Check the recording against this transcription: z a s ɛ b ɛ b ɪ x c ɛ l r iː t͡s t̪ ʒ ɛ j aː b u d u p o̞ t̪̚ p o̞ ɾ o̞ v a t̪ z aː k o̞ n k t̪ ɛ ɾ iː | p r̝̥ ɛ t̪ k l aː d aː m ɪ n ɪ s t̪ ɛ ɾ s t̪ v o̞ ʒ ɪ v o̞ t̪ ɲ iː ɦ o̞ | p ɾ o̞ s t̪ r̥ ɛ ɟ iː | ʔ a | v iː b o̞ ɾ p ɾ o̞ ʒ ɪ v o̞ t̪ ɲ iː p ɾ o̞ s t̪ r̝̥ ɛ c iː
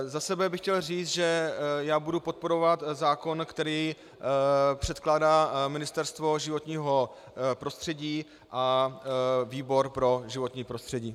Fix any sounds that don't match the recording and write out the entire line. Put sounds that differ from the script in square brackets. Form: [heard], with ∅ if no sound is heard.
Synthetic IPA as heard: z a s ɛ b ɛ b ɪ x c ɛ l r iː t͡s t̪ ʒ ɛ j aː b u d u p o̞ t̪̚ p o̞ ɾ o̞ v a t̪ z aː k o̞ n k t̪ ɛ ɾ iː | p r̝̥ ɛ t̪ k l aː d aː m ɪ n ɪ s t̪ ɛ ɾ s t̪ v o̞ ʒ ɪ v o̞ t̪ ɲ iː ɦ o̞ | p ɾ o̞ s t̪ r̥ ɛ ɟ iː | ʔ a | v iː b o̞ ɾ p ɾ o̞ ʒ ɪ v o̞ t̪ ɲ iː p ɾ o̞ s t̪ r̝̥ ɛ [ɟ] iː